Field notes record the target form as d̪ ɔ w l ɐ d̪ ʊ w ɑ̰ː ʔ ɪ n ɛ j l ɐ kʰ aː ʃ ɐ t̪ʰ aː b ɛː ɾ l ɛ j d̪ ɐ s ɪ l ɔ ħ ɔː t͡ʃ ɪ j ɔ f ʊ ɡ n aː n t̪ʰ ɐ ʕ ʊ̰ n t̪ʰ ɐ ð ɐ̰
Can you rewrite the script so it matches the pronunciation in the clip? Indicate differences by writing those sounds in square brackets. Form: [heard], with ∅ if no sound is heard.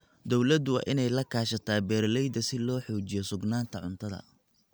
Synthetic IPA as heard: d̪ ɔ w l ɐ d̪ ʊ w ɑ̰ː ʔ ɪ n ɛ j l ɐ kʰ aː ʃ ɐ t̪ʰ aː b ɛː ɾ l ɛ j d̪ ɐ s ɪ l [ɔː] ħ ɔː t͡ʃ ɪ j ɔ [s] ʊ ɡ n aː n t̪ʰ ɐ ʕ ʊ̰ n t̪ʰ ɐ ð ɐ̰